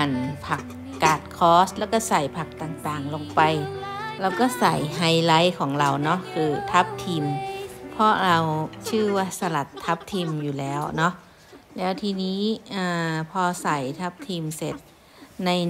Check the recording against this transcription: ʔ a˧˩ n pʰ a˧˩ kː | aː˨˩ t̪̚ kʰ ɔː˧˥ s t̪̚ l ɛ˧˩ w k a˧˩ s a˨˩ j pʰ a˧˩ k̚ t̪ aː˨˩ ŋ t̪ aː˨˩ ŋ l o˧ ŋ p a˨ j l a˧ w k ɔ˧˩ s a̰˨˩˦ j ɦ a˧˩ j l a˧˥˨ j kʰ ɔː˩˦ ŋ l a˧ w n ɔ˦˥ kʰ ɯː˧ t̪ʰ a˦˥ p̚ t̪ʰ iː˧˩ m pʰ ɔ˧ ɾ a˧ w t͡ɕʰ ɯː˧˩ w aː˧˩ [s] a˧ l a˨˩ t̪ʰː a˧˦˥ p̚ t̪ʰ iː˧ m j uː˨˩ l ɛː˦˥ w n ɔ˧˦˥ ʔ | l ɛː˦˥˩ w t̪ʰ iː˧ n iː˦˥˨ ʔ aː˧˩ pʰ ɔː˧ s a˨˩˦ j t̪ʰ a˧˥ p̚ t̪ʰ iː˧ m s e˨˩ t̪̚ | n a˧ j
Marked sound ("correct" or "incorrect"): correct